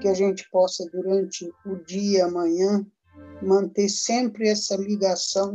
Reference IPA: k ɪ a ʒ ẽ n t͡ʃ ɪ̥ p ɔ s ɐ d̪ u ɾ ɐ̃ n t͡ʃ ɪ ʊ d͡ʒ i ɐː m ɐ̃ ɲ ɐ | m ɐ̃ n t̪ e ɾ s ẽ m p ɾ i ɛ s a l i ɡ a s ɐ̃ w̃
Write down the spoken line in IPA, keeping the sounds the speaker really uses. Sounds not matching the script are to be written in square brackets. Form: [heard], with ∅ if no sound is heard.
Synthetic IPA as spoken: k ɪ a ʒ ẽ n t͡ʃ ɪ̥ p ɔ s ɐ d̪ u ɾ ɐ̃ n t͡ʃ ɪ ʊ d͡ʒ i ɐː m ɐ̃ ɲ [ɐ̃] | m ɐ̃ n t̪ e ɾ s ẽ m p ɾ [ɪ] ɛ s [ɐ] l i ɡ a s ɐ̃ w̃